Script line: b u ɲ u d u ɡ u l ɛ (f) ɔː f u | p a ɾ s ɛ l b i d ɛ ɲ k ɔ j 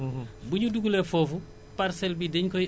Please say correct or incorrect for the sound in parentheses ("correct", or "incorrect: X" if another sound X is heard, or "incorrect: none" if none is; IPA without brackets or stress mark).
correct